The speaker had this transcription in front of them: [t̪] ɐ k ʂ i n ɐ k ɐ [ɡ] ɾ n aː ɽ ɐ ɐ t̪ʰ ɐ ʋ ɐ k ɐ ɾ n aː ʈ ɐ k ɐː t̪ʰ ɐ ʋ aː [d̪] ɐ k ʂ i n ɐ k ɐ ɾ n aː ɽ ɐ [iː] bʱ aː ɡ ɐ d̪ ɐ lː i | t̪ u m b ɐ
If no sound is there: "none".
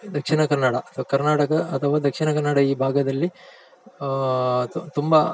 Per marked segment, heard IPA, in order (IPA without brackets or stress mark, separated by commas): d̪, none, d̪, iː